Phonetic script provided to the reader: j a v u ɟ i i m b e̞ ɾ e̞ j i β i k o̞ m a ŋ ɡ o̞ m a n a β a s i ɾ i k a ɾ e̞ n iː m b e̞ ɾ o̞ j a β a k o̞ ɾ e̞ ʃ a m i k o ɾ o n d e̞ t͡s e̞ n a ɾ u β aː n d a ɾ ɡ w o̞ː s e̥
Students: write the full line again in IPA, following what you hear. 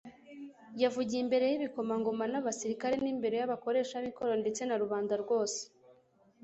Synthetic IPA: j a v u ɟ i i m b e̞ ɾ e̞ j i β i k o̞ m a ŋ ɡ o̞ m a n a β a s i ɾ i k a ɾ e̞ n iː m b e̞ ɾ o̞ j a β a k o̞ ɾ e̞ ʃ a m i k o ɾ o n d e̞ t͡s e̞ n a ɾ u β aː n d a ɾ ɡ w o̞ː s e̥

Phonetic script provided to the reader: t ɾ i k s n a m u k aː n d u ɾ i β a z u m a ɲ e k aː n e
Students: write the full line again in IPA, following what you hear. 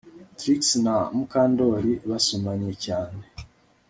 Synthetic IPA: t ɾ i k s n a m u k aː n d o ɾ i β a s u m a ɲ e c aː n e

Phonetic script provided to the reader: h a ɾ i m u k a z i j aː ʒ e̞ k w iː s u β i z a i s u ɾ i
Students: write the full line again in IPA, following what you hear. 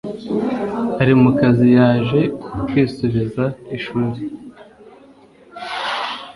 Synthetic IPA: h a ɾ i m u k a z i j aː ʒ e̞ k w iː s u β i z a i ʃ u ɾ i

